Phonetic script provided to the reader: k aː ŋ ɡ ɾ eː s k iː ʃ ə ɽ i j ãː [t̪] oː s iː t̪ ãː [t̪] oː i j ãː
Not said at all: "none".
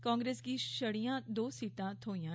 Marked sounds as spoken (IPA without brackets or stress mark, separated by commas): d̪, t̪ʰ